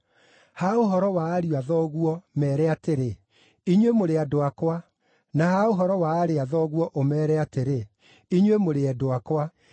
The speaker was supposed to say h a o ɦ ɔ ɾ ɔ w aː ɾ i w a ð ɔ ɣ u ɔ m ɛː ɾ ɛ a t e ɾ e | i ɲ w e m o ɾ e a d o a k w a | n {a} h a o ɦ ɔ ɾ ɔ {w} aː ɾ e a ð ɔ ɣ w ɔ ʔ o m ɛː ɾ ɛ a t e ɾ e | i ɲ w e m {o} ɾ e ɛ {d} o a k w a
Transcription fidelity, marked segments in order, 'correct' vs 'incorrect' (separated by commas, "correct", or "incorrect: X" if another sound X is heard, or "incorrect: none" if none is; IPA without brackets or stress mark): correct, correct, correct, correct